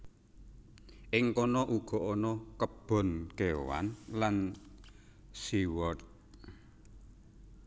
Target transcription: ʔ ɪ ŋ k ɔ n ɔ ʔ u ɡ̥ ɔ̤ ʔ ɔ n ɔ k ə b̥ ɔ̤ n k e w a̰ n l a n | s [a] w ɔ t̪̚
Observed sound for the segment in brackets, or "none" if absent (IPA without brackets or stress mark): i